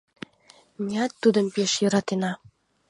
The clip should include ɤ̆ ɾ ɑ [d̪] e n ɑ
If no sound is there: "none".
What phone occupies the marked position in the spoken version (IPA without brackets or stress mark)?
t̪